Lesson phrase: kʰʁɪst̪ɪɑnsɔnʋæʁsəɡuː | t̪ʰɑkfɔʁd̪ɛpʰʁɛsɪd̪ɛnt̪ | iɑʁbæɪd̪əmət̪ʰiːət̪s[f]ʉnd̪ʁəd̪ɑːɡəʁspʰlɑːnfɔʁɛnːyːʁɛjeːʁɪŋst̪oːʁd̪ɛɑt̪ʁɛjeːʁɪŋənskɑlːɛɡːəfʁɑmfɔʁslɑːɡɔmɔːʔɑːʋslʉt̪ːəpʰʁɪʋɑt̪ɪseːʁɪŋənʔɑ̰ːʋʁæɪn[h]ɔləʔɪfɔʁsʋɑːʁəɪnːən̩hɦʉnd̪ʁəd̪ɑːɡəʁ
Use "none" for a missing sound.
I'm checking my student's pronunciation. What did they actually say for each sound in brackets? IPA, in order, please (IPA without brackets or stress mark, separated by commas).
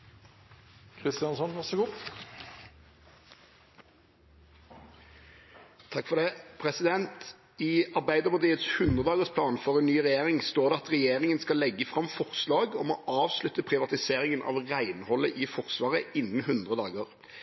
h, h